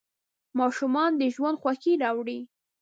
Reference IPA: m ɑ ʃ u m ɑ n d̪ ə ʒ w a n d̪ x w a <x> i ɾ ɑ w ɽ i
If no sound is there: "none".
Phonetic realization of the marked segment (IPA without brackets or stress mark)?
x